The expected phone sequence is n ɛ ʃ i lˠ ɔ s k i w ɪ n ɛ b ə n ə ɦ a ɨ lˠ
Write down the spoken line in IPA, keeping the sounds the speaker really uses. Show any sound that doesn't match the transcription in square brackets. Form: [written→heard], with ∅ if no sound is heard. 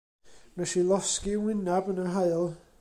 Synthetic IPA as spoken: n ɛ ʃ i lˠ ɔ s k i w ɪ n [ɛ→a] b ə n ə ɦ a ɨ lˠ